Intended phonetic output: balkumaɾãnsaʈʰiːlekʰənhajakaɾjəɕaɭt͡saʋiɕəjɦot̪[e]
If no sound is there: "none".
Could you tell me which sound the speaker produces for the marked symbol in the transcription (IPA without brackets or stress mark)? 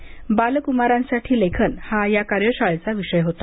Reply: a